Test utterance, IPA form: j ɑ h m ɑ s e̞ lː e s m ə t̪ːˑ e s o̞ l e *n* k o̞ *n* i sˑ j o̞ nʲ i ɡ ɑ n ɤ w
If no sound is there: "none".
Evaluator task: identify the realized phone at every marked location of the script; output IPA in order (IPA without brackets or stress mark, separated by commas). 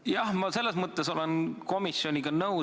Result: n, m